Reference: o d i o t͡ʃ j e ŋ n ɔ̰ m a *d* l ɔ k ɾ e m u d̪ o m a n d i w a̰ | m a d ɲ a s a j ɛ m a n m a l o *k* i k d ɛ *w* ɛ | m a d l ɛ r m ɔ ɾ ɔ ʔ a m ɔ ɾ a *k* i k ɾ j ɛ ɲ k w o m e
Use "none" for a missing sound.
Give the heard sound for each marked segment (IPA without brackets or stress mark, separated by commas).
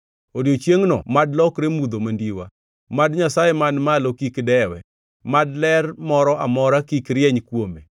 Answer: d, k, w, k